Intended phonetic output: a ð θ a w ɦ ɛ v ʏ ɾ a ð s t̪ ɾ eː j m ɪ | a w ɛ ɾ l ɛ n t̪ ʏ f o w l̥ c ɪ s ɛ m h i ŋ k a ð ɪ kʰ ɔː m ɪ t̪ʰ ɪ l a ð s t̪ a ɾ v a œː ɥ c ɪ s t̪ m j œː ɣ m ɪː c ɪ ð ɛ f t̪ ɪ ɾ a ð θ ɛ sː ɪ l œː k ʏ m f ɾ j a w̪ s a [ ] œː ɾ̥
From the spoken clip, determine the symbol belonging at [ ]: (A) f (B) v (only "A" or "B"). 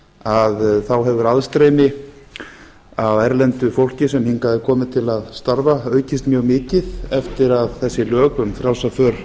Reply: A